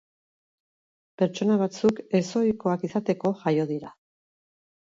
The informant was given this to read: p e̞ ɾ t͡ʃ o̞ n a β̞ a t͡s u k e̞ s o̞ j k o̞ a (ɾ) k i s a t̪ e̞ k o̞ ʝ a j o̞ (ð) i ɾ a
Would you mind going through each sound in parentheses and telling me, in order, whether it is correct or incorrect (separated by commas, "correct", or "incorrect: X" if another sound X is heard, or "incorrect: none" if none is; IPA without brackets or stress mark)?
incorrect: none, correct